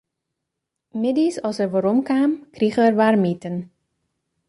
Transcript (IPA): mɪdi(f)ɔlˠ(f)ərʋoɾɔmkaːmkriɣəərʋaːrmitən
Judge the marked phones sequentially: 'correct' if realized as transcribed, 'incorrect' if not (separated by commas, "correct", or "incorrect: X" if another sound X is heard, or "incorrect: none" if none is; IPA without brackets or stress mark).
incorrect: s, incorrect: s